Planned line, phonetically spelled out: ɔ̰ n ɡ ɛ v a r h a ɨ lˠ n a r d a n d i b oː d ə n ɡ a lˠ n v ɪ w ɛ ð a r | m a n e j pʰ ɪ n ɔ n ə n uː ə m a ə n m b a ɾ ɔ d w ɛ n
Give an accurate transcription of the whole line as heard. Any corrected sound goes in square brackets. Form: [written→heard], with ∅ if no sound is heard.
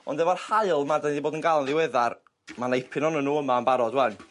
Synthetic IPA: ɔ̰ n [ɡ→d] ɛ v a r h a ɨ lˠ [n→m] a r d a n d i b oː d ə n ɡ a lˠ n [v→ð] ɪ w ɛ ð a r | m a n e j pʰ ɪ n ɔ n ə n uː ə m a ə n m b a ɾ ɔ d w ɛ n